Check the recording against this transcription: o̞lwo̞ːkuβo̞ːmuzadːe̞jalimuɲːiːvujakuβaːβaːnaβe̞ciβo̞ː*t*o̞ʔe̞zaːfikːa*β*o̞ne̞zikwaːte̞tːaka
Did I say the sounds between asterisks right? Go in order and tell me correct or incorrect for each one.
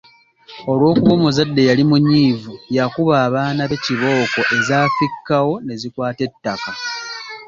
incorrect: k, incorrect: w

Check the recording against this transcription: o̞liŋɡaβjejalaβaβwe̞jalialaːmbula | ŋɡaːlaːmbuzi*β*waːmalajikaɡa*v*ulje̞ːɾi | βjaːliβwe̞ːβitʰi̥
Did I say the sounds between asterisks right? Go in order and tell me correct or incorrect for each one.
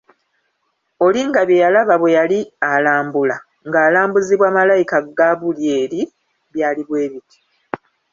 correct, incorrect: β

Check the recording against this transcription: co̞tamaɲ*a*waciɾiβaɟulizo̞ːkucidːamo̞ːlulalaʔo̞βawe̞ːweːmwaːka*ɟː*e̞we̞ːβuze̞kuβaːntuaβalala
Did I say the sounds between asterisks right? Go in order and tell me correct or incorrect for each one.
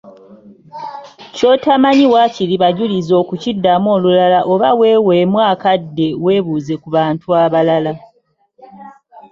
incorrect: i, incorrect: dː

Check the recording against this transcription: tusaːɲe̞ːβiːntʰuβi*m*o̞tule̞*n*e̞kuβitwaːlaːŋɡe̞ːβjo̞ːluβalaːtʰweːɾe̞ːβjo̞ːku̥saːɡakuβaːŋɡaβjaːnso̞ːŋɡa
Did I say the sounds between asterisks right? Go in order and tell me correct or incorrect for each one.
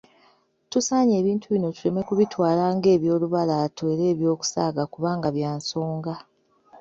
incorrect: n, incorrect: m

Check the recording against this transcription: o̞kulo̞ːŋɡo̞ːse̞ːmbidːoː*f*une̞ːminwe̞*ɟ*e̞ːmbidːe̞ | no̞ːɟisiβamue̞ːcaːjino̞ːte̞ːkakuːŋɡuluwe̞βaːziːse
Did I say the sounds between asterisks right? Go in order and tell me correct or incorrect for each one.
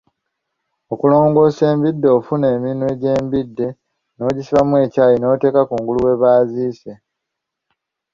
correct, correct

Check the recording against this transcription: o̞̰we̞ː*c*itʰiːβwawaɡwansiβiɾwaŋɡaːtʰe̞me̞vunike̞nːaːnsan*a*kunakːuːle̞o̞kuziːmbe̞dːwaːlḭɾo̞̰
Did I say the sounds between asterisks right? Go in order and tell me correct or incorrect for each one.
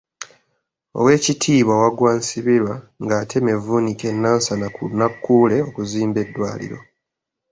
correct, correct

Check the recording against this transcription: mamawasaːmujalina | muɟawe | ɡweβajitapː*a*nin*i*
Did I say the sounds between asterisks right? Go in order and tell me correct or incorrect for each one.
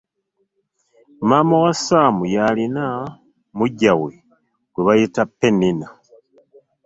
incorrect: e, incorrect: a

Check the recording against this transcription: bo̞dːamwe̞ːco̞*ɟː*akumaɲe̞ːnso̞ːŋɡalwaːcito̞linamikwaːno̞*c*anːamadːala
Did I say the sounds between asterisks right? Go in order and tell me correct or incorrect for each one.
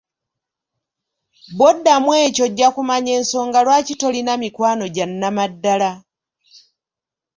correct, incorrect: ɟ

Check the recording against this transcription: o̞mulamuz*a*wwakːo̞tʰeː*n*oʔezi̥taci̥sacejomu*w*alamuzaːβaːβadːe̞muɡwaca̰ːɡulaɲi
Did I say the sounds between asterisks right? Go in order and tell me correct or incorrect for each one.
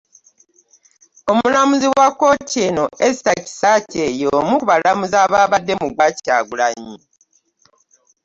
incorrect: i, correct, incorrect: β

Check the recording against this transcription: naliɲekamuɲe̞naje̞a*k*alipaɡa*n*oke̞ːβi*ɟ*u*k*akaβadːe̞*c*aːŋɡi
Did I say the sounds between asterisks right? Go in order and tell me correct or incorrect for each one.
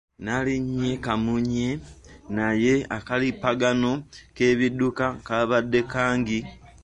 correct, correct, incorrect: d, correct, incorrect: k

